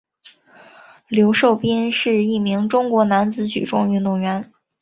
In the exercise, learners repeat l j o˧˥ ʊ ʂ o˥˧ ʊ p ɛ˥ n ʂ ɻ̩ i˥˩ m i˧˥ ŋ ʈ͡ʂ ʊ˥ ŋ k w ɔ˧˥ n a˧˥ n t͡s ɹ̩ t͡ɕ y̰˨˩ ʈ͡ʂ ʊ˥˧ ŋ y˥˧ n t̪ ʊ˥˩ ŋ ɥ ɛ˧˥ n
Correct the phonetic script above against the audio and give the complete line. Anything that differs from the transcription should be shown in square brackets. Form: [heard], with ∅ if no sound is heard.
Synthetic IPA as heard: l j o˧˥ ʊ ʂ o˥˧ ʊ p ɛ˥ n ʂ ɻ̩ i˥˩ m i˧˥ ŋ ʈ͡ʂ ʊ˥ ŋ k w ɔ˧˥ n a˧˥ n t͡s ɹ̩ t͡ɕ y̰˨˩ ʈ͡ʂ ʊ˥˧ ŋ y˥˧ n t̪ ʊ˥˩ ŋ ɥ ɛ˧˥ n